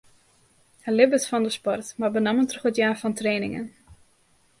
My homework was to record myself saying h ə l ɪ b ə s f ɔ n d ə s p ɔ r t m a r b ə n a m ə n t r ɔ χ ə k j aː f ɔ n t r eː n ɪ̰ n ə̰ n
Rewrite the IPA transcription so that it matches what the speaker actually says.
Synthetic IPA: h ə l ɪ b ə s f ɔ n d ə s p ɔ r t m a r b ə n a m ə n t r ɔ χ ə t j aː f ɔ n t r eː n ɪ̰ ŋ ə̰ n